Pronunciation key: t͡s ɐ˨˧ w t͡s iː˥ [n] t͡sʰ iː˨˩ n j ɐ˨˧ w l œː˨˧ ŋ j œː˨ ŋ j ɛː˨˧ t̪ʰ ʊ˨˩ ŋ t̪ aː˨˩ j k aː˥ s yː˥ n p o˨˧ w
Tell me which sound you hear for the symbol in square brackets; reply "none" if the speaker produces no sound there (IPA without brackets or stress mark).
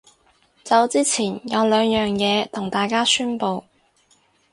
none